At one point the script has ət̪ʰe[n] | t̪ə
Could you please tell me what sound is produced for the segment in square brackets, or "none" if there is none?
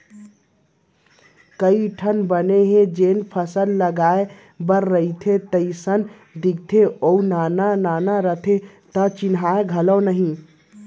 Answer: none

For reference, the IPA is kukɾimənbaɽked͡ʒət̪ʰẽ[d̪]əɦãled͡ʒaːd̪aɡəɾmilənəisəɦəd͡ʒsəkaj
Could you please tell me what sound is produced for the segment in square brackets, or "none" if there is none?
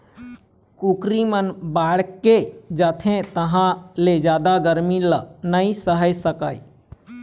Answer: t̪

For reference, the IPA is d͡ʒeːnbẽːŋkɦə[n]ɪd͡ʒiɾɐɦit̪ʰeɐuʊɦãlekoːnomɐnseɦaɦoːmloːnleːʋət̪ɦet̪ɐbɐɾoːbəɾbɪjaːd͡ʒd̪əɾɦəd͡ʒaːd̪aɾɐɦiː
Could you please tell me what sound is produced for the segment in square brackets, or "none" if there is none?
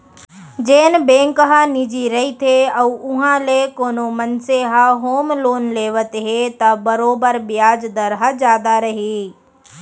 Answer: n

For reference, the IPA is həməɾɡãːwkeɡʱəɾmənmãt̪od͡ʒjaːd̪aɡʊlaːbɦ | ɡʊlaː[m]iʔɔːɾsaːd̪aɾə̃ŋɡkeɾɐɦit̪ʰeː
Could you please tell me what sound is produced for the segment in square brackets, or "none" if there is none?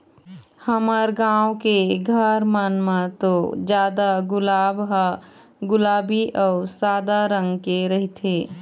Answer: b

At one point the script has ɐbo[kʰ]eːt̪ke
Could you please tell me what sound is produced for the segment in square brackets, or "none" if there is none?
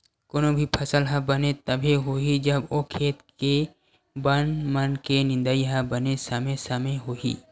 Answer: kʰ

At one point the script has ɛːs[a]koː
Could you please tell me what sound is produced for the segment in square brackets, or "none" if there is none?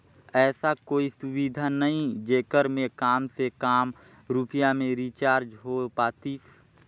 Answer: a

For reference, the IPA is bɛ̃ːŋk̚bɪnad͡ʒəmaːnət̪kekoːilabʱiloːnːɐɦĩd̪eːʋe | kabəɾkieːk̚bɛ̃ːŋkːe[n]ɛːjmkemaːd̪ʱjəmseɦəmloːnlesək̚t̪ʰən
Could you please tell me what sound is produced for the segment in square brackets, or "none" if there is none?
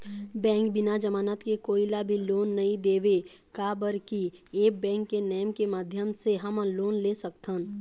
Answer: n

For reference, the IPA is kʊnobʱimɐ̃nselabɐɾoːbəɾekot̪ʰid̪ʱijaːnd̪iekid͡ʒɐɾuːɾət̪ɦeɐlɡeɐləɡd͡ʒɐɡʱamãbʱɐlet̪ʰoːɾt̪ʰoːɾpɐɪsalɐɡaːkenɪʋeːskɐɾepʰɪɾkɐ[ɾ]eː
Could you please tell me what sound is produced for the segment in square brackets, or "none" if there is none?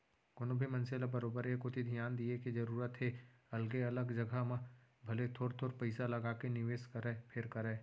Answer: ɾ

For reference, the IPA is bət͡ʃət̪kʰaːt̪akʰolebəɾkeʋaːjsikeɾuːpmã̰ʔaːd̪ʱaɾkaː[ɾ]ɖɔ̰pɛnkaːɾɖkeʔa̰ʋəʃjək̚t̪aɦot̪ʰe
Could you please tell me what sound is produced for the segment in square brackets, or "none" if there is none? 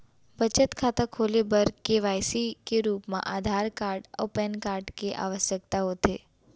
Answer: ɾ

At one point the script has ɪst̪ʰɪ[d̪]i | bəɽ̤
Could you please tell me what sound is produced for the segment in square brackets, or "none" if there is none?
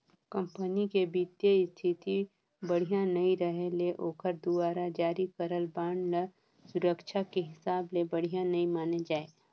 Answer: t̪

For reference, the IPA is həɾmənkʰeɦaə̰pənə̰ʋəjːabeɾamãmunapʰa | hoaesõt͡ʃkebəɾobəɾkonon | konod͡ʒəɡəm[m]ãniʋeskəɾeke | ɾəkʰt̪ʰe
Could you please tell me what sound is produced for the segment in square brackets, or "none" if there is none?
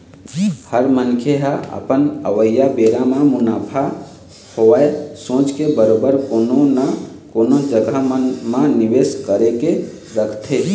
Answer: m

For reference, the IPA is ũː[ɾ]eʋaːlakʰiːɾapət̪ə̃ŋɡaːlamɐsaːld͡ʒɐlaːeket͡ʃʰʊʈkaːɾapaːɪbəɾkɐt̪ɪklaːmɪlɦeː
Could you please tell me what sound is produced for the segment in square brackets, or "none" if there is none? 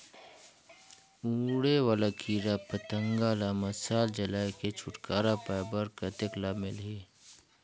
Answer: ɽ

